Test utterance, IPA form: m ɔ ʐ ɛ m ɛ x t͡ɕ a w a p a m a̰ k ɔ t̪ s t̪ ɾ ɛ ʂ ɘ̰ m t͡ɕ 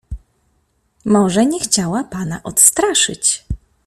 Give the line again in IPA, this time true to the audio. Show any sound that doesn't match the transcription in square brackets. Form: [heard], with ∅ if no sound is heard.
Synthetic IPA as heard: m ɔ ʐ ɛ [ɲ] ɛ x t͡ɕ a w a p a [n] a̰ [ʔ] ɔ t̪ s t̪ ɾ [a] ʂ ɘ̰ [∅] t͡ɕ